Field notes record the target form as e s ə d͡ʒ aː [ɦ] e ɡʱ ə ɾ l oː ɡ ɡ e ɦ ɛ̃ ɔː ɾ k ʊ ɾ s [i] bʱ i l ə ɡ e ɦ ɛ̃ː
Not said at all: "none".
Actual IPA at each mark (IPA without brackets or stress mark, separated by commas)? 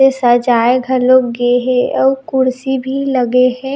none, i